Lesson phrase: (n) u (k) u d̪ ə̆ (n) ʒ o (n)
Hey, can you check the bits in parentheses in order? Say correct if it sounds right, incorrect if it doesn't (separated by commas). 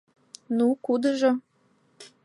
correct, correct, incorrect, incorrect